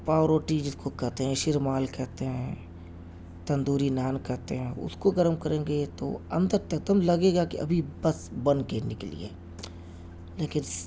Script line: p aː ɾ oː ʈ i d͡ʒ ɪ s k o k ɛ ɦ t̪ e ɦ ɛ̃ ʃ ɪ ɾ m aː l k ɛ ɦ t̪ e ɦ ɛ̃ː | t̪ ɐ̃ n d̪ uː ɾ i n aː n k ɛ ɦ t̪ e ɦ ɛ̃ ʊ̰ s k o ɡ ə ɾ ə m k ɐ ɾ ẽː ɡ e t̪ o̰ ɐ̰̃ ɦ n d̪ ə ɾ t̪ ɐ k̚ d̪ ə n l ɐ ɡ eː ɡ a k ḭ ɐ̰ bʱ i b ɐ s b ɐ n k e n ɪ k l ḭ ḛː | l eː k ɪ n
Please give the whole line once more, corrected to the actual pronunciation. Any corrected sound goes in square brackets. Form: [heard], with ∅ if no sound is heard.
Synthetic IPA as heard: p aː ɾ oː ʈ i d͡ʒ ɪ s k o k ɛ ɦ t̪ e ɦ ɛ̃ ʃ ɪ ɾ m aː l k ɛ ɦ t̪ e ɦ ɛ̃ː | t̪ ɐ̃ n d̪ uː ɾ i n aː n k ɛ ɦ t̪ e ɦ ɛ̃ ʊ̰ s k o ɡ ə ɾ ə m k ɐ ɾ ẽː ɡ e t̪ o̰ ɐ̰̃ [∅] n d̪ ə ɾ t̪ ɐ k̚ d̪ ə [m] l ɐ ɡ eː ɡ a k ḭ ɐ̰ bʱ i b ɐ s b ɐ n k e n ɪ k l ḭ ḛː | l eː k ɪ n